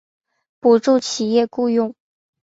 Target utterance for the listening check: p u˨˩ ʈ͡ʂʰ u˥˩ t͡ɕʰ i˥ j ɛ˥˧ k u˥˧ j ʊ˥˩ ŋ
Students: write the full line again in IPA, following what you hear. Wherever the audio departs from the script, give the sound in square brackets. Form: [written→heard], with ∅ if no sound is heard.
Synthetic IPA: p u˨˩ [ʈ͡ʂʰ→ʈ͡ʂ] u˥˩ t͡ɕʰ [i˥→i˨˩] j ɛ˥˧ k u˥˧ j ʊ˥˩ ŋ